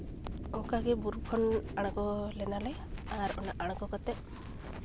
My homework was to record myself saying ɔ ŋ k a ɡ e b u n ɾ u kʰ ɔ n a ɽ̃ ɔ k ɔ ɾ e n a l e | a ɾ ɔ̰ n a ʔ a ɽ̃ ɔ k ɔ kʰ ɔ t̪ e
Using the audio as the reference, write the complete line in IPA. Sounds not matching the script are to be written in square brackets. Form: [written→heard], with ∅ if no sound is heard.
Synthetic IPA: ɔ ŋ k a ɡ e b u [n→∅] ɾ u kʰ ɔ n a ɽ̃ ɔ k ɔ [ɾ→l] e n a l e | a ɾ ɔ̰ n a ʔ a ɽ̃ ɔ k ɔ [kʰ→k] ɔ t̪ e